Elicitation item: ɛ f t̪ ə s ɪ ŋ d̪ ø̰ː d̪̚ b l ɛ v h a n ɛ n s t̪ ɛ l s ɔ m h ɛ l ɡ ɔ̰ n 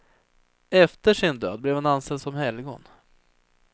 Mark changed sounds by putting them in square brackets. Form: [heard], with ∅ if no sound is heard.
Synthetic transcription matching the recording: ɛ f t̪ ə [ʂ] ɪ [n] d̪ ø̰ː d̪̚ b l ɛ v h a n [a] n s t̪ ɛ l s ɔ m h ɛ l ɡ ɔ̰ n